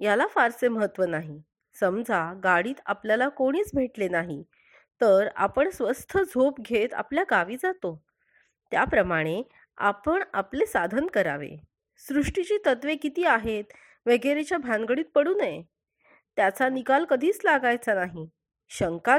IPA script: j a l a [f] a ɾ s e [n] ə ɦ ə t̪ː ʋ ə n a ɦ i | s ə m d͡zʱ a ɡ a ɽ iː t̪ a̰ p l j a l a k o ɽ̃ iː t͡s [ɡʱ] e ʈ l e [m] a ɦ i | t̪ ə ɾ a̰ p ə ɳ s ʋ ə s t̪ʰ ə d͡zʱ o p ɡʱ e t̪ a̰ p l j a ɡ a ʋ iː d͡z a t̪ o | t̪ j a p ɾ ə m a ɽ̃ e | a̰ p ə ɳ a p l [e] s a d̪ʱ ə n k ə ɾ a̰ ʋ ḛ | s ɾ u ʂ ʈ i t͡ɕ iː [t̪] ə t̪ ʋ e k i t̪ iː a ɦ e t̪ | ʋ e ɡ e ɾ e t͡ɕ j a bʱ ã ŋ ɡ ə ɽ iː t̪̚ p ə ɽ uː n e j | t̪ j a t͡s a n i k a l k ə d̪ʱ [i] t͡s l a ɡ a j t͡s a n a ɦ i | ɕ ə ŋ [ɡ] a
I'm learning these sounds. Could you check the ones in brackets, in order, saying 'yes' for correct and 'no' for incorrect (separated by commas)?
yes, no, no, no, yes, yes, no, no